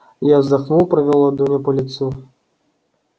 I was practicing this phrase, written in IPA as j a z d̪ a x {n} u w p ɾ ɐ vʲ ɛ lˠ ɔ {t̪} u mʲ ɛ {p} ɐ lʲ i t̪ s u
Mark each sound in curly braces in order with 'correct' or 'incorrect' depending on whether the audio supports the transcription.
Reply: correct, incorrect: d̪, correct

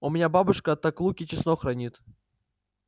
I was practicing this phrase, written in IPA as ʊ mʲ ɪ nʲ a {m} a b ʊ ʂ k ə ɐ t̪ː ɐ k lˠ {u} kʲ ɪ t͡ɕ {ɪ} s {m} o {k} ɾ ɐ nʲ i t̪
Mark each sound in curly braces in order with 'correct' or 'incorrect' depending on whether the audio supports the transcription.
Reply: incorrect: b, correct, correct, incorrect: n, incorrect: x

